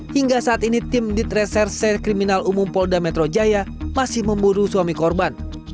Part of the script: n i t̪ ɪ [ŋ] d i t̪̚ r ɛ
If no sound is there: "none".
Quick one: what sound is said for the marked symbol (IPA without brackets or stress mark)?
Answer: m